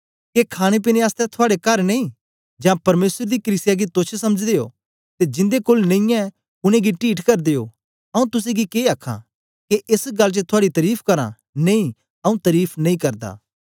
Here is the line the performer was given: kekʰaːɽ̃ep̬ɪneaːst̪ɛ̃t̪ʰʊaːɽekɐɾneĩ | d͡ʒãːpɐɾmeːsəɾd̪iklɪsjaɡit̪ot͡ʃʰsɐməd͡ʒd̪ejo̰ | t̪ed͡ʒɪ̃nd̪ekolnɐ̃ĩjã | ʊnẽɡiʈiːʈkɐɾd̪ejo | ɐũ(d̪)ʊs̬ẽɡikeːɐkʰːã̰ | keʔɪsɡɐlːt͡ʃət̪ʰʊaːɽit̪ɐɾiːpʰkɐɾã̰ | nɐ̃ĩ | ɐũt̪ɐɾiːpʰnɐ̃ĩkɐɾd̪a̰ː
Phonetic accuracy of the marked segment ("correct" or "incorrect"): incorrect